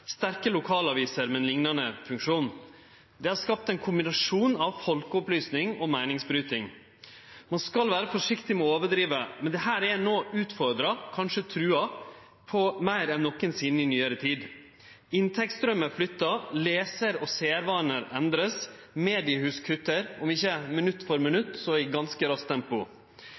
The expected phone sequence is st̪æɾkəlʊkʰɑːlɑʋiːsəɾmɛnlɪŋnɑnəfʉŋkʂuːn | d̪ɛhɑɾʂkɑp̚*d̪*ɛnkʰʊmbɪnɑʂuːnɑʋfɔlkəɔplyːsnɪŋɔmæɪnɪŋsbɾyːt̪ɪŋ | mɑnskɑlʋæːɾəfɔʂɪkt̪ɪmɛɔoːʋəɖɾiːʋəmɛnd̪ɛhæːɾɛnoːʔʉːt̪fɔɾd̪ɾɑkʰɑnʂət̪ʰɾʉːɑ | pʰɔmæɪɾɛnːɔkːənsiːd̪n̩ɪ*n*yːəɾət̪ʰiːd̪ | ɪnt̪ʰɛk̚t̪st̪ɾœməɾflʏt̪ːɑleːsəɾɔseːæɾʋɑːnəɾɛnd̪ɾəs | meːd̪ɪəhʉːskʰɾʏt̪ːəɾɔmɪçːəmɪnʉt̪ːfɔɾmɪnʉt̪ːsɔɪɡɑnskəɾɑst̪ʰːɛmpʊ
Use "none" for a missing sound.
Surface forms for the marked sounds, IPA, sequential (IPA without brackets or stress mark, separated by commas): t̪, n